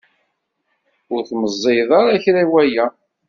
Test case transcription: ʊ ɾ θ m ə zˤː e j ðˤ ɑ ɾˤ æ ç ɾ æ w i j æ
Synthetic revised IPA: ʊ ɾ θ m ə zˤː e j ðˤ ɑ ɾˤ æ ç ɾ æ w æ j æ